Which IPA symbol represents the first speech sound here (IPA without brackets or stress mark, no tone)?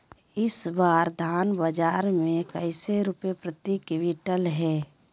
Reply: ɪ